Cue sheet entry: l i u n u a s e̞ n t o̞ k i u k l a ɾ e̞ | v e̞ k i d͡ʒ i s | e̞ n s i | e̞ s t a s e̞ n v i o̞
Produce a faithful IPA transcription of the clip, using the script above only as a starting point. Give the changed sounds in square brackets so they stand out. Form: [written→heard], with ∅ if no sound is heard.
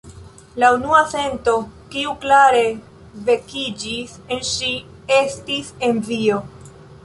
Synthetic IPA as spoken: l [i→a] u n u a s e̞ n t o̞ k i u k l a ɾ e̞ | v e̞ k i d͡ʒ i s | e̞ n [s→ʃ] i | e̞ s t [a→i] s e̞ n v i o̞